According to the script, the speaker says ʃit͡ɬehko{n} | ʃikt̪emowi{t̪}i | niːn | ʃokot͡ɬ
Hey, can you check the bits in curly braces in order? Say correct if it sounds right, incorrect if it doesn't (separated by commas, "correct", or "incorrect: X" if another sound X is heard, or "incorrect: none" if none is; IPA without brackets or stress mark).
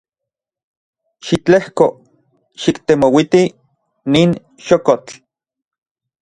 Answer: incorrect: none, correct